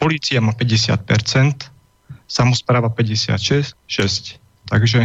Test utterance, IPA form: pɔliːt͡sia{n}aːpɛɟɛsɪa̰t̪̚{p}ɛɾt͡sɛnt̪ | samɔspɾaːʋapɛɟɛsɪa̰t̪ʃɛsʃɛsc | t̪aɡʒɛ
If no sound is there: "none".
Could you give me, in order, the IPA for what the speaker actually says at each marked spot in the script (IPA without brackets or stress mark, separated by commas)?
m, p